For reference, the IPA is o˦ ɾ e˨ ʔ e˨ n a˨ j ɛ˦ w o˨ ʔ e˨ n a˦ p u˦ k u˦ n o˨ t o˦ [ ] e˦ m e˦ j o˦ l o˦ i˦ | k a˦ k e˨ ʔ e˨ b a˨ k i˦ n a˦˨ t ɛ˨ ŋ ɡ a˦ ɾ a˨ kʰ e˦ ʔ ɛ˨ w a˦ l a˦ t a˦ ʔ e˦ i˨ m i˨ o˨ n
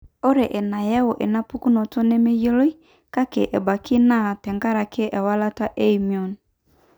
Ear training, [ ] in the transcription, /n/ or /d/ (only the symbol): n